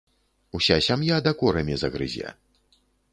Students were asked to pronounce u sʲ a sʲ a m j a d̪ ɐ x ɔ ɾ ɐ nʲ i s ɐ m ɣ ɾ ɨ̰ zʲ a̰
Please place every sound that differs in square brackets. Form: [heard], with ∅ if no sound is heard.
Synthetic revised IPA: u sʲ a sʲ a m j a d̪ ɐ [k] ɔ ɾ ɐ [mʲ] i [z] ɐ [∅] ɣ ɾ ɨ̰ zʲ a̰